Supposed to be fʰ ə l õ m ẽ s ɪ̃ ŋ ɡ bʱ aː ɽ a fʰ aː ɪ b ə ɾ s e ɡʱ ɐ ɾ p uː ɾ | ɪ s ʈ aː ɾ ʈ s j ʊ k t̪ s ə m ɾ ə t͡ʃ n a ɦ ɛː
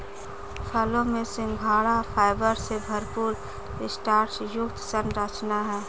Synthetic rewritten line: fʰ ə l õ m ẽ s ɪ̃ ŋ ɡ bʱ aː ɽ a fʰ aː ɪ b ə ɾ s e bʱ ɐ ɾ p uː ɾ | ɪ s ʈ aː ɾ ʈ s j ʊ k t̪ s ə n ɾ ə t͡ʃ n a ɦ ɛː